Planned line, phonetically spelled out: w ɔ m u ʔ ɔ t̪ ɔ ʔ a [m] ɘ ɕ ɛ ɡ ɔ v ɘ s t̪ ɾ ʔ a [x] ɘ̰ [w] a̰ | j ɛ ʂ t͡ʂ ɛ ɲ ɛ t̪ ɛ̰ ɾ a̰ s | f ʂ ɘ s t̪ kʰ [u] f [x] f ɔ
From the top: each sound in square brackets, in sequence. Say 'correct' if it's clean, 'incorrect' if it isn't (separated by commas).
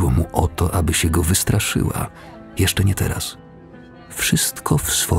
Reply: incorrect, incorrect, correct, incorrect, incorrect